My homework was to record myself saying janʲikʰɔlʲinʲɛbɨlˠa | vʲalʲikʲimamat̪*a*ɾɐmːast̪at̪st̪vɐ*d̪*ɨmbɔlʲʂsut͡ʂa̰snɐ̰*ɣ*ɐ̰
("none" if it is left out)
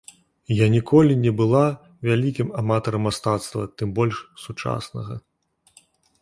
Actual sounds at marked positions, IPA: ɐ, t̪, ɣ

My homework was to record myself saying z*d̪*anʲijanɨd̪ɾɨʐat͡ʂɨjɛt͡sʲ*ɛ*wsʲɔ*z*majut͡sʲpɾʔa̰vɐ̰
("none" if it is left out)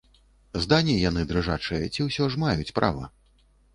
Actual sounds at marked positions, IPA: d̪, i, ʐ

